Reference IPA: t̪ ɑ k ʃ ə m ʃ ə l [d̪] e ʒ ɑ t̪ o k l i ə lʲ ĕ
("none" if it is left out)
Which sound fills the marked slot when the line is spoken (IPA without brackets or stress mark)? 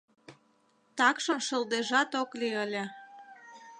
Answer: d̪